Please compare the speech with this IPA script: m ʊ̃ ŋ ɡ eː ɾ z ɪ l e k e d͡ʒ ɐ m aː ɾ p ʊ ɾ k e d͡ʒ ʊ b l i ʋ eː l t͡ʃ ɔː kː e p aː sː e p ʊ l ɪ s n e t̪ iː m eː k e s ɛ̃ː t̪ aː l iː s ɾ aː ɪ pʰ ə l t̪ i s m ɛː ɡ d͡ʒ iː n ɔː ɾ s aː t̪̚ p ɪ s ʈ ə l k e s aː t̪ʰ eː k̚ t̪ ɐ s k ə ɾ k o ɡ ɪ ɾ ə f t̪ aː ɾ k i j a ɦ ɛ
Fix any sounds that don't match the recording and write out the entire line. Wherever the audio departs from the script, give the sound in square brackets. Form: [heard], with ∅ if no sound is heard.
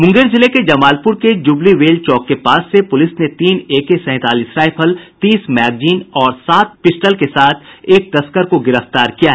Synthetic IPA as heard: m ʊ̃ ŋ ɡ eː ɾ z ɪ l e k e d͡ʒ ɐ m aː [l] p ʊ ɾ k e d͡ʒ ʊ b l i ʋ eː l t͡ʃ ɔː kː e p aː sː e p ʊ l ɪ s n e t̪ iː [n] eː k e s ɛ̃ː t̪ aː l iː s ɾ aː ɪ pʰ ə l t̪ [iː] s m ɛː ɡ d͡ʒ iː n ɔː ɾ s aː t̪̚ p ɪ s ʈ ə l k e s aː t̪ʰ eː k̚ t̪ ɐ s k ə ɾ k o ɡ ɪ ɾ ə f t̪ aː ɾ k i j a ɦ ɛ